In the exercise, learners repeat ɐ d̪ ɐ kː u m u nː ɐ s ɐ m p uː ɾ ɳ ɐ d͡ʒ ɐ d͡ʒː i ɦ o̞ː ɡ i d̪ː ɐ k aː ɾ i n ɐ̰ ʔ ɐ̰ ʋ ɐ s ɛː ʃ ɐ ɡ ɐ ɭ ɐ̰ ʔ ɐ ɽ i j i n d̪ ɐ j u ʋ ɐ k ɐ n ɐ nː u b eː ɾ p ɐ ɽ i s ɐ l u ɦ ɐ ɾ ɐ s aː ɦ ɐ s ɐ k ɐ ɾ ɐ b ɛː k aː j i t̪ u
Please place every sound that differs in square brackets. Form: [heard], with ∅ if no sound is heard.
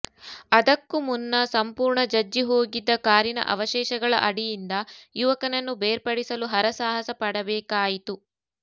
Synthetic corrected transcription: ɐ d̪ ɐ kː u m u nː ɐ s ɐ m p uː ɾ ɳ ɐ d͡ʒ ɐ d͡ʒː i ɦ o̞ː ɡ i d̪ː ɐ k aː ɾ i n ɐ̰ ʔ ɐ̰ ʋ ɐ [ʃ] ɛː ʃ ɐ ɡ ɐ ɭ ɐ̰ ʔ ɐ ɽ i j i n d̪ ɐ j u ʋ ɐ k ɐ n ɐ nː u b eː ɾ p ɐ ɽ i s ɐ l u ɦ ɐ ɾ ɐ s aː ɦ ɐ s ɐ [p] ɐ [ɽ] ɐ b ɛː k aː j i t̪ u